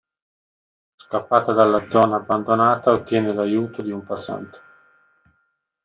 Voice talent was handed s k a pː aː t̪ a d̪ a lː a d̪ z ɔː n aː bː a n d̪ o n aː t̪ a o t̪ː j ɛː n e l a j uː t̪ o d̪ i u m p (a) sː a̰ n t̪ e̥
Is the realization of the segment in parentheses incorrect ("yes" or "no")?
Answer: no